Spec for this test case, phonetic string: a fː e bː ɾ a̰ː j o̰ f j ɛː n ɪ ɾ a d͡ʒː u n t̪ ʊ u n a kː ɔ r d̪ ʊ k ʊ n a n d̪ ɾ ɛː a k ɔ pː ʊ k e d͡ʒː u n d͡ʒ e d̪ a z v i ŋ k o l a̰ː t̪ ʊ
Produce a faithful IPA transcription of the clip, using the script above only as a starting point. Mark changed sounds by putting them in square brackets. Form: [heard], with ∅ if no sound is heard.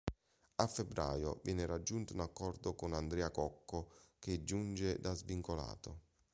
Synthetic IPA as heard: a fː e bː ɾ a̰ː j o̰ [v] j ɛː n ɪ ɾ a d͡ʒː u n t̪ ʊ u n a kː ɔ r d̪ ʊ k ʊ n a n d̪ ɾ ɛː a k ɔ [kː] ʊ k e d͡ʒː u n d͡ʒ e d̪ a z v i ŋ k o l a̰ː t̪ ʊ

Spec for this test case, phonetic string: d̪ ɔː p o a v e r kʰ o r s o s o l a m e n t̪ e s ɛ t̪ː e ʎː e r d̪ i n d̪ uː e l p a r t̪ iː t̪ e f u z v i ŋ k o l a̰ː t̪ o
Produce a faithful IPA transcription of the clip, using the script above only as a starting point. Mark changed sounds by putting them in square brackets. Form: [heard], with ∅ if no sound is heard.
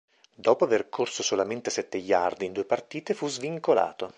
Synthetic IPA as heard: d̪ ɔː p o a v e r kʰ o r s o s o l a m e n t̪ e s ɛ t̪ː e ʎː [a] r d̪ i n d̪ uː e [∅] p a r t̪ iː t̪ e f u z v i ŋ k o l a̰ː t̪ o

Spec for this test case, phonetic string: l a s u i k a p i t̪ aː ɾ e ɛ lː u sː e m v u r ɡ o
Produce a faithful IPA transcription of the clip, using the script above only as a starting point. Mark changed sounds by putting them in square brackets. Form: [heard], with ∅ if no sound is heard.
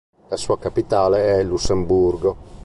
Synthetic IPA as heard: l a s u [a] k a p i t̪ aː [l] e ɛ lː u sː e m [b] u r ɡ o

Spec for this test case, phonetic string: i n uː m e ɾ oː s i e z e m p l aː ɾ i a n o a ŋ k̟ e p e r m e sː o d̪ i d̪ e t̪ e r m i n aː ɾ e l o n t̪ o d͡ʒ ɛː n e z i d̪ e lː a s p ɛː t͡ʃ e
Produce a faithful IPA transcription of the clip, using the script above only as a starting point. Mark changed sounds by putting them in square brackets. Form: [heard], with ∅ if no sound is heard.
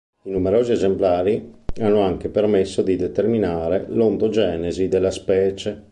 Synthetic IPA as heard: i n [u] m e ɾ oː [z] i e z e m p l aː ɾ i a [nː] o a ŋ k̟ e p e r m e sː o d̪ i d̪ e t̪ e r m i n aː ɾ e l o n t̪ o d͡ʒ ɛː n e z i d̪ e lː a s p ɛː t͡ʃ e

